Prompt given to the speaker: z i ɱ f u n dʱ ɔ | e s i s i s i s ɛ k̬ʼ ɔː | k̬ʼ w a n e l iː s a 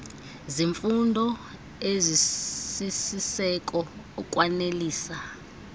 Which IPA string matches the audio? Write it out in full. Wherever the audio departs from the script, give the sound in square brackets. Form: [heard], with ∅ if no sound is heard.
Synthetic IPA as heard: z i ɱ f u n dʱ ɔ | e [z] i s i s i s ɛ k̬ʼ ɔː | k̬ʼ w a n e l iː s a